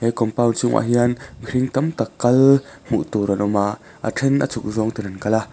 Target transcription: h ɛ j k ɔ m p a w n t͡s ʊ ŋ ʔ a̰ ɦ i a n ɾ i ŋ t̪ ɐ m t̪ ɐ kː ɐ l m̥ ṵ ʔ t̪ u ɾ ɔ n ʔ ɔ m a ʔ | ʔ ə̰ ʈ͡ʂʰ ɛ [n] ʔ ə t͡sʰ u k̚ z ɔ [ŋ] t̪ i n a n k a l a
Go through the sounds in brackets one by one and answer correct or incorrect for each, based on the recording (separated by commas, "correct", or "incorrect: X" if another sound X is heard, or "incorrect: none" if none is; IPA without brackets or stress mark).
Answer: correct, correct